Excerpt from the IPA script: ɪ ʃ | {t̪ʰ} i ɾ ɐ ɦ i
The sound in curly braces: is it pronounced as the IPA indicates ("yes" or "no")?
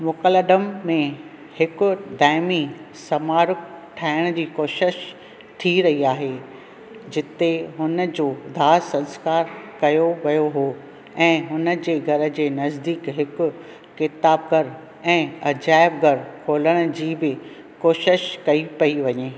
yes